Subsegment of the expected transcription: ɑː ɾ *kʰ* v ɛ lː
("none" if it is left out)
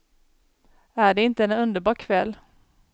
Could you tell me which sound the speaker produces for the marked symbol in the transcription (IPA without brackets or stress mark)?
kʰ